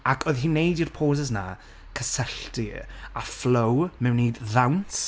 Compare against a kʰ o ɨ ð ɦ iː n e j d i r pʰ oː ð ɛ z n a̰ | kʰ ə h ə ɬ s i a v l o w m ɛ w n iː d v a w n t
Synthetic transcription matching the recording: a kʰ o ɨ ð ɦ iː n e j d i r pʰ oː z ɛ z n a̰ | kʰ ə s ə ɬ t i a f l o w m ɛ w n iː d ð a w n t